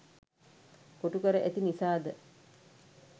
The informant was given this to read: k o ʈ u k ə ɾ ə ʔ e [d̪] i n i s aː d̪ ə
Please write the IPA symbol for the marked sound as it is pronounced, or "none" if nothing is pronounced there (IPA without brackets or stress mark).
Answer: t̪